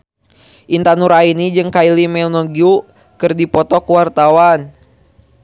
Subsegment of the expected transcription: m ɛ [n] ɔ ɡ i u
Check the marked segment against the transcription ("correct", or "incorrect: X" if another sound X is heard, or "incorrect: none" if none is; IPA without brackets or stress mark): correct